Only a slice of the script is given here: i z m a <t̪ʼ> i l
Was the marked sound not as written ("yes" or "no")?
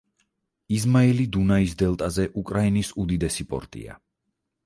yes